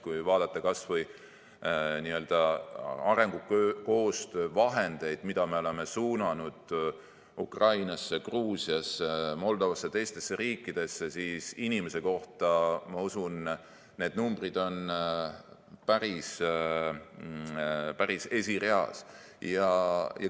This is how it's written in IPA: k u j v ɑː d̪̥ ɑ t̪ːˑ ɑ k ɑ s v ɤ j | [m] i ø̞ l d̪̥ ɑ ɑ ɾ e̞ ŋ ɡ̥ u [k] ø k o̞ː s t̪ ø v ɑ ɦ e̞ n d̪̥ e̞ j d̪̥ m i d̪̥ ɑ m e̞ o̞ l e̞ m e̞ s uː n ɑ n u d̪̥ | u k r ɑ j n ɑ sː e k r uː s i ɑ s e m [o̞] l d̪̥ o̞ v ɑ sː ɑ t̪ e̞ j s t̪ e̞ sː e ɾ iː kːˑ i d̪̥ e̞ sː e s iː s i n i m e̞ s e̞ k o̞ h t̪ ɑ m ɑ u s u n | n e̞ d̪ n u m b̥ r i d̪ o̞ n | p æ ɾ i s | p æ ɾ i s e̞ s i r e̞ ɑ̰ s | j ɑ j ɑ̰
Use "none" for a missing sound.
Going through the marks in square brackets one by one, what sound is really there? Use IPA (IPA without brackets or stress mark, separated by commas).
n, k, o̞